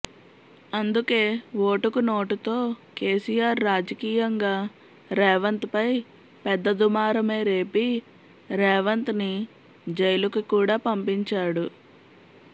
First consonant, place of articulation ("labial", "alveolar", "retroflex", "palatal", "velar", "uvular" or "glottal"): alveolar